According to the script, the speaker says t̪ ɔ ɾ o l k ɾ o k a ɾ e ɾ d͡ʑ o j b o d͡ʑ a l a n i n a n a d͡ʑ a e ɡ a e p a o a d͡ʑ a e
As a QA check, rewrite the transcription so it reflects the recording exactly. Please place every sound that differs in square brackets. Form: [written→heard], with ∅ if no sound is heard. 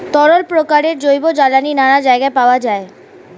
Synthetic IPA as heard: t̪ ɔ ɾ o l [k→p] ɾ o k a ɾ e ɾ d͡ʑ o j b o d͡ʑ a l a n i n a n a d͡ʑ a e ɡ a e p a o a d͡ʑ a e